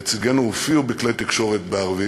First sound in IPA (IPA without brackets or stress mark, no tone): t͡s